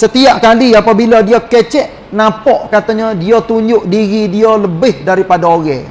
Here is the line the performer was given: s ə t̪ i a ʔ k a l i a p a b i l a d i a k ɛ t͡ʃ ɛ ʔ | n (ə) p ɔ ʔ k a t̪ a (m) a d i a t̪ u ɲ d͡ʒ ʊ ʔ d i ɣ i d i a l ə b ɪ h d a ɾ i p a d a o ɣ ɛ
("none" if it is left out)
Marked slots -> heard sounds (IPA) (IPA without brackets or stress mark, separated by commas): a, ɲ